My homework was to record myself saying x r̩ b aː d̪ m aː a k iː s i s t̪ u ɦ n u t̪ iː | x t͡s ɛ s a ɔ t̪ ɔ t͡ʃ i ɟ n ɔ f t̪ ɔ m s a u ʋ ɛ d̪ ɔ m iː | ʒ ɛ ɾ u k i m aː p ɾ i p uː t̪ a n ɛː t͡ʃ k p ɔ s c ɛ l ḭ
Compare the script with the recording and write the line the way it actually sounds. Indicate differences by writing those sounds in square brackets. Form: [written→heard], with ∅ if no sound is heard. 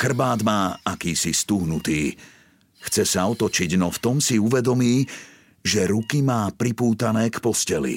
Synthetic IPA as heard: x r̩ b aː d̪ m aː a k iː s i s t̪ u ɦ n u t̪ iː | x t͡s ɛ s a ɔ t̪ ɔ t͡ʃ i ɟ n ɔ f t̪ ɔ m s [a→i] u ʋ ɛ d̪ ɔ m iː | ʒ ɛ ɾ u k i m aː p ɾ i p uː t̪ a n ɛː [t͡ʃ→∅] k p ɔ s c ɛ l ḭ